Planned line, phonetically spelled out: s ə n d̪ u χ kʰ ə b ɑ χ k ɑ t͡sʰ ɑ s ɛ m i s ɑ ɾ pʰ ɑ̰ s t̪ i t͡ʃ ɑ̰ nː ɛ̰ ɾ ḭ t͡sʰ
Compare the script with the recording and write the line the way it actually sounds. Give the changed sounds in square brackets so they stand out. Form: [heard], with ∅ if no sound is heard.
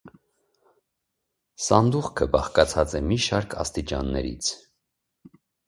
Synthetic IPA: s [ɑ] n d̪ u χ kʰ ə b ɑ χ k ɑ t͡sʰ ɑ [t͡s] ɛ m i [ʃ] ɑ ɾ [kʰ] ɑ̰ s t̪ i t͡ʃ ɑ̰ nː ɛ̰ ɾ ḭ t͡sʰ